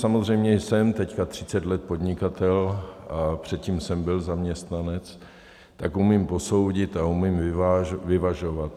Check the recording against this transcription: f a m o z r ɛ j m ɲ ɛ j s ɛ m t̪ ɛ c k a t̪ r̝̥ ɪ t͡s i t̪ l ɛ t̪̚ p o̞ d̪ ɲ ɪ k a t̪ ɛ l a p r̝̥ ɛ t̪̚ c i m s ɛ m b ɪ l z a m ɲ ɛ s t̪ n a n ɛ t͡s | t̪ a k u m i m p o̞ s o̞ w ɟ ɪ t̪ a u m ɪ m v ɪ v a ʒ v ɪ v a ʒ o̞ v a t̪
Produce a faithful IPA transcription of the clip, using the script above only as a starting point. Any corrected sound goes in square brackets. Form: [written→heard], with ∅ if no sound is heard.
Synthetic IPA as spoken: [f→s] a m o z r ɛ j m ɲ ɛ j s ɛ m t̪ ɛ c k a t̪ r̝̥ ɪ t͡s [i→ɛ] t̪ l ɛ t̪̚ p o̞ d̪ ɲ ɪ k a t̪ ɛ l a p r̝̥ ɛ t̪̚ c i m s ɛ m b ɪ l z a m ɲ ɛ s t̪ n a n ɛ t͡s | t̪ a k u m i m p o̞ s o̞ w ɟ ɪ t̪ a u m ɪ m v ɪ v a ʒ v ɪ v a ʒ o̞ v a t̪